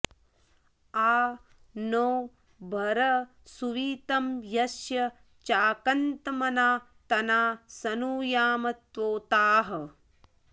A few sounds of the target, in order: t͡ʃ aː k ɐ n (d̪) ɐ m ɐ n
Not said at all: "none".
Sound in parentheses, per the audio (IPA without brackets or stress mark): t̪